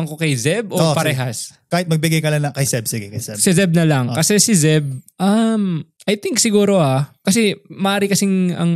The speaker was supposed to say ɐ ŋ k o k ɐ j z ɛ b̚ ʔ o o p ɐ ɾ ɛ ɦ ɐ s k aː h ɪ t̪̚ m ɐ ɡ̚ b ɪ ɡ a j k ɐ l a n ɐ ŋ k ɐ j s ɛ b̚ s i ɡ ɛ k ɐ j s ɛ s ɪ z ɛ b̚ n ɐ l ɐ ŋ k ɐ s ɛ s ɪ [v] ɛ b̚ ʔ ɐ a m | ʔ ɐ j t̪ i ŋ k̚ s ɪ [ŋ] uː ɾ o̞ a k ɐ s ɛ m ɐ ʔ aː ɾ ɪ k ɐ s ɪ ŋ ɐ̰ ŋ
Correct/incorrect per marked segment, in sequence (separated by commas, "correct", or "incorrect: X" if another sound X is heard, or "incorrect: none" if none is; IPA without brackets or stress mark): incorrect: z, incorrect: ɡ